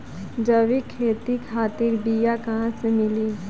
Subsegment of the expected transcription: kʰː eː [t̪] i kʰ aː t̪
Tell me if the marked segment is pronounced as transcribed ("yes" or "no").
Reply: yes